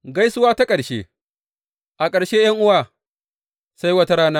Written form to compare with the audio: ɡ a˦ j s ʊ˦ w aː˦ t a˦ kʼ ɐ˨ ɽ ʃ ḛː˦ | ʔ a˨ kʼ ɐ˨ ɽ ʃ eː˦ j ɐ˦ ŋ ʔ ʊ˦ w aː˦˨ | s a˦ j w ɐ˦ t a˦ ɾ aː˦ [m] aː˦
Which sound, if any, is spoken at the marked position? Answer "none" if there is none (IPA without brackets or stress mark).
n